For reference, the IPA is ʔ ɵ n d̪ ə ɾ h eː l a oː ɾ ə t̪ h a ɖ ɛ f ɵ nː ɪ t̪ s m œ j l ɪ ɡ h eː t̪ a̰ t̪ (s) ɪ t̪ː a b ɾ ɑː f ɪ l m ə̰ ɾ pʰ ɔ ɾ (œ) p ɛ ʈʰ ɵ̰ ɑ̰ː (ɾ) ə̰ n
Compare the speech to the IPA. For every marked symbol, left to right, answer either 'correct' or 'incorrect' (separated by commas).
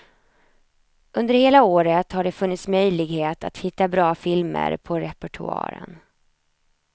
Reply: incorrect, incorrect, correct